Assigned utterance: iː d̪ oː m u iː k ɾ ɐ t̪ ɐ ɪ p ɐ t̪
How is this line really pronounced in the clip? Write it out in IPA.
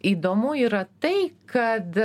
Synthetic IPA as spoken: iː d̪ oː m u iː ɾ ɐ t̪ ɐ ɪ k ɐ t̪

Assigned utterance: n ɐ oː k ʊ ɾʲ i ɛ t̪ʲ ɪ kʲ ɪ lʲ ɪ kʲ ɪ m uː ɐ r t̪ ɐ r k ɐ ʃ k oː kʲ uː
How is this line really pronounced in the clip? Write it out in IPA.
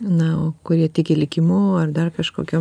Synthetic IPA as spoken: n ɐ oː k ʊ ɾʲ i ɛ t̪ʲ ɪ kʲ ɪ lʲ ɪ kʲ ɪ m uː ɐ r d̪ ɐ r k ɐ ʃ k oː kʲ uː

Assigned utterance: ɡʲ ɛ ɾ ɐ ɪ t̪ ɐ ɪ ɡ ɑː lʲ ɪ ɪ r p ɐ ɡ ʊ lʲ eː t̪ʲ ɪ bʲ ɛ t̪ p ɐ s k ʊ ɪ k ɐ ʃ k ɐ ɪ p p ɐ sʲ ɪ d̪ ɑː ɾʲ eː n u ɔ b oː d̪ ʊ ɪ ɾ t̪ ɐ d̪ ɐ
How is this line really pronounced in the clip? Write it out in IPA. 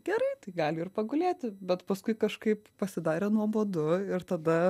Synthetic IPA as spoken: ɡʲ ɛ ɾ ɐ ɪ t̪ ɐ ɪ ɡ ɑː lʲ ɪ ɪ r p ɐ ɡ ʊ lʲ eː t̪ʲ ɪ bʲ ɛ t̪ p ɐ s k ʊ ɪ k ɐ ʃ k ɐ ɪ p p ɐ sʲ ɪ d̪ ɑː ɾʲ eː n u ɔ b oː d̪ ʊ ɪ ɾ t̪ ɐ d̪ ɐ

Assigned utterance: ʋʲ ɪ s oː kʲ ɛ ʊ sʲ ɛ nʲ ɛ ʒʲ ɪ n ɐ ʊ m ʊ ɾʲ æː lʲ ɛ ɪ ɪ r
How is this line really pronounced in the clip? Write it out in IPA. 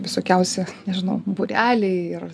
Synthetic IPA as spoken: ʋʲ ɪ s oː kʲ ɛ ʊ sʲ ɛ nʲ ɛ ʒʲ ɪ n ɐ ʊ b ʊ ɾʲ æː lʲ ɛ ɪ ɪ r

